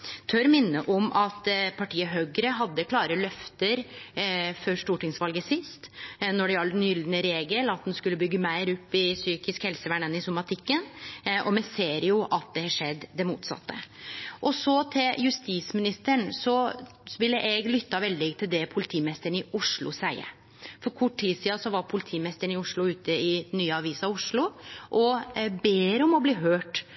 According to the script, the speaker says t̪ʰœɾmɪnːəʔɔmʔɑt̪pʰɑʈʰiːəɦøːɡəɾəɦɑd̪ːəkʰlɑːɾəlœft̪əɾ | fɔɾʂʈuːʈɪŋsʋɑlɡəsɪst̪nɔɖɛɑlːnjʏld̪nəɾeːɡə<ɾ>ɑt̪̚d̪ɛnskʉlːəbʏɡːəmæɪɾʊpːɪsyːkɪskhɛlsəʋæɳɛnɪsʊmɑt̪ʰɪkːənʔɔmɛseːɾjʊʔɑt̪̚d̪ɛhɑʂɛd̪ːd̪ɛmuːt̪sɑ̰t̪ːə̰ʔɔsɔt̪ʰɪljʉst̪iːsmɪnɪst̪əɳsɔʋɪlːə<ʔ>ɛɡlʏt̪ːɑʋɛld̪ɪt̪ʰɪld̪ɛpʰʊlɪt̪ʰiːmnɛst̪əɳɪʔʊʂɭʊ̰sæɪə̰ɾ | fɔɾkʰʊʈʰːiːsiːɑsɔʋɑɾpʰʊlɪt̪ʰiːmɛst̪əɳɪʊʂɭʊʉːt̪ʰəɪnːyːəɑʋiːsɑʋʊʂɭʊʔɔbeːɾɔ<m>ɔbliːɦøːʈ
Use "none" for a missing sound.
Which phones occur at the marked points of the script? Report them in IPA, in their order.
l, ʔ, m

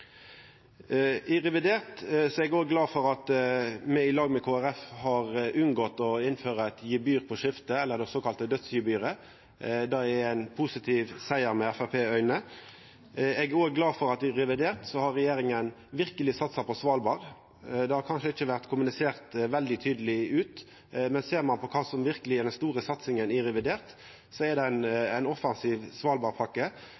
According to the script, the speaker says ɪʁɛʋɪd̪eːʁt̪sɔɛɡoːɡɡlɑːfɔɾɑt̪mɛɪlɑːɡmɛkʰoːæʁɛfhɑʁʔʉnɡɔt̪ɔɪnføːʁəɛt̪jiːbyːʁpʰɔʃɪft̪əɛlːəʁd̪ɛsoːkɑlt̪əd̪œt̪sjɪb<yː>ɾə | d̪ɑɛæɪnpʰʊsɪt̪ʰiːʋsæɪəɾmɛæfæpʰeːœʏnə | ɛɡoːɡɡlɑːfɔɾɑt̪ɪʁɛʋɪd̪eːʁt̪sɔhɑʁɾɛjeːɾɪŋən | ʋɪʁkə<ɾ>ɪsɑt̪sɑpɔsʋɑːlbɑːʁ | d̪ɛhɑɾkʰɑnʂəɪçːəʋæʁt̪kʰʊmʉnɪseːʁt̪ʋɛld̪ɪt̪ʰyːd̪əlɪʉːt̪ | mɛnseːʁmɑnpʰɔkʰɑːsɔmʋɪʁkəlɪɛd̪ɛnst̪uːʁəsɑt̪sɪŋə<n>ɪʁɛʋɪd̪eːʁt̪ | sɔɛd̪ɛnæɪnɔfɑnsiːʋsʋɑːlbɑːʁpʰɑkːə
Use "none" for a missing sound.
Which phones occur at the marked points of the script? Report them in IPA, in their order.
yː, l, n

